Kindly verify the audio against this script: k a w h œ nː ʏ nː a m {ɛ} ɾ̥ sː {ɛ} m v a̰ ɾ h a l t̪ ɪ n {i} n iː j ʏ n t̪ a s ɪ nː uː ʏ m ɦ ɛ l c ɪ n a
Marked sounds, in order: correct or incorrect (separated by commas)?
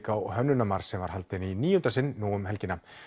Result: incorrect, correct, correct